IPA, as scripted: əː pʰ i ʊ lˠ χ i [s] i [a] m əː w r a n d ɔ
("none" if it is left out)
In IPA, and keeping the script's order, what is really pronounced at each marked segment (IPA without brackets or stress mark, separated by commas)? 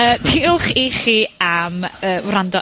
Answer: χ, a